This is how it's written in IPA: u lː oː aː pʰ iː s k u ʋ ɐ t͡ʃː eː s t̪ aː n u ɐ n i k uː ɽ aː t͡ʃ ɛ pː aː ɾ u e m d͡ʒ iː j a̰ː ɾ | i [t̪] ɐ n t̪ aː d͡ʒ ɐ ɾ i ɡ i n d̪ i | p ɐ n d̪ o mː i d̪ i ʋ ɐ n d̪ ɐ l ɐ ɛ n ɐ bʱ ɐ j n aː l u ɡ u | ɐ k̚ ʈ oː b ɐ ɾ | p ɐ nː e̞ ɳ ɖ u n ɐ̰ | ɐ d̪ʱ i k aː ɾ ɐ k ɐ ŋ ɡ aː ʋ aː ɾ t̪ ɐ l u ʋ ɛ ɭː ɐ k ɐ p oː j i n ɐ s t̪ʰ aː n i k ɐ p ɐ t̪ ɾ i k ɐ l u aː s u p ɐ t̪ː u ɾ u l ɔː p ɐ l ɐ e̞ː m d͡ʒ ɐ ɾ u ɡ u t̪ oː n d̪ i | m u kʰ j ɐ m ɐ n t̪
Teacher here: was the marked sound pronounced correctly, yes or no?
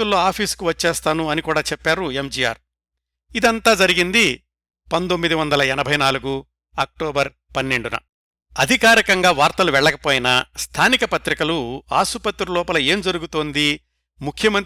no